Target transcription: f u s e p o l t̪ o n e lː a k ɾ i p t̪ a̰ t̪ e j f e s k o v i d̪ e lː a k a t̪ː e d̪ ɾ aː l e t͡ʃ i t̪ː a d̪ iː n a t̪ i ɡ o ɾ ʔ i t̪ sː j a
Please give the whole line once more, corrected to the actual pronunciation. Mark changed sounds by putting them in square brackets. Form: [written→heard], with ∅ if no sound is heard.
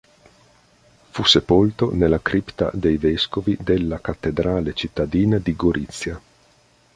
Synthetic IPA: f u s e p o l t̪ o n e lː a k ɾ i p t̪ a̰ [t̪→d̪] e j [f→v] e s k o v i d̪ e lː a k a t̪ː e d̪ ɾ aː l e t͡ʃ i t̪ː a d̪ iː n a [t̪→d̪] i ɡ o ɾ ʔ i t̪ sː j a